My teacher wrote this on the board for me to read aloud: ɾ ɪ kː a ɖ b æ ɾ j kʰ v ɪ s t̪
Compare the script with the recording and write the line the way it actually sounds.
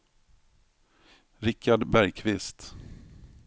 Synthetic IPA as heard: ɾ ɪ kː a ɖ b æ ɾ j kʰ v ɪ s t̪